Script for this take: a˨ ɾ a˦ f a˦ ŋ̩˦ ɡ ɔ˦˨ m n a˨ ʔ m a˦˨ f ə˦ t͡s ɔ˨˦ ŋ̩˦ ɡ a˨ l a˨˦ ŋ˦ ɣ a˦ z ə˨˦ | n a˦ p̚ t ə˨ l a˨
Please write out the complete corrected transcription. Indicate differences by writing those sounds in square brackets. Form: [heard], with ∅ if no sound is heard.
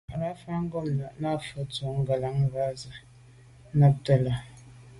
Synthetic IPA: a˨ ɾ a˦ f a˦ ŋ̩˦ ɡ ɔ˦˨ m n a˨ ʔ [n] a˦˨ f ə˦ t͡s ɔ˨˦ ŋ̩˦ ɡ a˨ l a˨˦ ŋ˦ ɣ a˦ z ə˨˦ | n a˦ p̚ t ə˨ l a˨